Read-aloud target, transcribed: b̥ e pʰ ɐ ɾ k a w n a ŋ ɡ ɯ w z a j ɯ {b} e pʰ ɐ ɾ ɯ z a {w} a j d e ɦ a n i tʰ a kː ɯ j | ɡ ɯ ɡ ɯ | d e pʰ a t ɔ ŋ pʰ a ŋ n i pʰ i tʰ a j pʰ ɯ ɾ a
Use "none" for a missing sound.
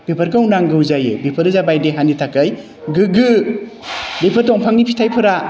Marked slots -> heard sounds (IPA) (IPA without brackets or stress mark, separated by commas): b, b